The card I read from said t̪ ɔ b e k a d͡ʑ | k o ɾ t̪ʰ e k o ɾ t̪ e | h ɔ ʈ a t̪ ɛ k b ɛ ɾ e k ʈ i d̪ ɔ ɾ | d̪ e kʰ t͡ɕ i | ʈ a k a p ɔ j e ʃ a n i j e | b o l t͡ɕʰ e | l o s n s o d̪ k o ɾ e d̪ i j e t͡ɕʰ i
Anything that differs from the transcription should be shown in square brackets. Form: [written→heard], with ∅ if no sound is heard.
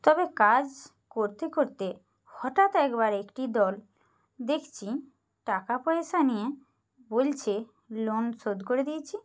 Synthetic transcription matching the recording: t̪ ɔ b e k a d͡ʑ | k o ɾ [t̪ʰ→t̪] e k o ɾ t̪ e | h ɔ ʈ a t̪ ɛ k b [ɛ→a] ɾ e k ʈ i d̪ ɔ [ɾ→l] | d̪ e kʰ [t͡ɕ→t͡ɕʰ] i | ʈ a k a p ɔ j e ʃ a n i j e | b o l t͡ɕʰ e | l o [s→∅] n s o d̪ k o ɾ e d̪ i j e t͡ɕʰ i